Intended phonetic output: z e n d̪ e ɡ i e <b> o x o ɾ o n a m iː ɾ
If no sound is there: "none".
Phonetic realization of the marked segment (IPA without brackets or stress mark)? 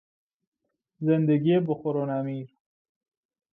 b